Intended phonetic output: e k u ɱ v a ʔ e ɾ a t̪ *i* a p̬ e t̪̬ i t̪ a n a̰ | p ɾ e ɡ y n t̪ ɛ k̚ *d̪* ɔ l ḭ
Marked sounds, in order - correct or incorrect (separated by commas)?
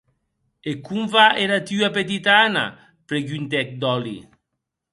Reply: incorrect, correct